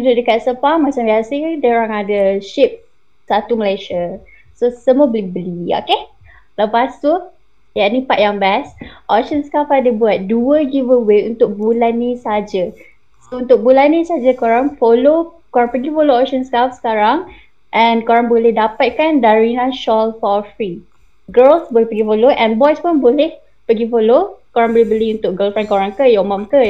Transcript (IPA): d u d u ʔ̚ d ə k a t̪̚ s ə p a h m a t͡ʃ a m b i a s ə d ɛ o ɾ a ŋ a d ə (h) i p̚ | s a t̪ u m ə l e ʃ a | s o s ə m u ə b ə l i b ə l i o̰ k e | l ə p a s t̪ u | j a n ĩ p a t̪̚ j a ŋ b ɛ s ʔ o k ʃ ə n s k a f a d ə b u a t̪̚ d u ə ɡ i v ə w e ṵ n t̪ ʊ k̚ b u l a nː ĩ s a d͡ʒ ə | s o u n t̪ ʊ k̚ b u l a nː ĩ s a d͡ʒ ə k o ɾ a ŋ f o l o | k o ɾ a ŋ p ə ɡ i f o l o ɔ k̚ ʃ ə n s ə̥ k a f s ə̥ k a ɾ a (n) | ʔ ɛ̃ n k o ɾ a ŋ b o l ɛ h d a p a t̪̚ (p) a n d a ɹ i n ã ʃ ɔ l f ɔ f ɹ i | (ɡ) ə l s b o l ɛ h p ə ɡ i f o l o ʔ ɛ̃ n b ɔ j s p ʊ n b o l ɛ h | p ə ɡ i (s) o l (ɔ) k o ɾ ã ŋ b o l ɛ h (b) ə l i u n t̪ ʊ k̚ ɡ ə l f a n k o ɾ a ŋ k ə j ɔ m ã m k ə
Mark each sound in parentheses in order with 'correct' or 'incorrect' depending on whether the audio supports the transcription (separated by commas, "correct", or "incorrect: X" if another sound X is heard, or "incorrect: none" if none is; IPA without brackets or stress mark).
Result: incorrect: ʃ, incorrect: ŋ, incorrect: k, correct, incorrect: f, incorrect: o, correct